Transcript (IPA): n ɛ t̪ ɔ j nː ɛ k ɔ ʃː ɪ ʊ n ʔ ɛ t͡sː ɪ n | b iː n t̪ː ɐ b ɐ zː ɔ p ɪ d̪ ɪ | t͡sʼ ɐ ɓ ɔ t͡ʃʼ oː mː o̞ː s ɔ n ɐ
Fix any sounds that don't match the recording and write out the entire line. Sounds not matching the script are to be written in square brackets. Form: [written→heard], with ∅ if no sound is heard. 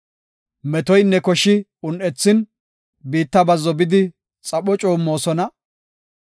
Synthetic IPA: [n→m] ɛ t̪ ɔ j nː ɛ k ɔ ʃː ɪ ʊ n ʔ ɛ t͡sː ɪ n | b iː [n→∅] t̪ː ɐ b ɐ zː ɔ [p→b] ɪ d̪ ɪ | t͡sʼ ɐ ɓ ɔ t͡ʃʼ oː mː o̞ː s ɔ n ɐ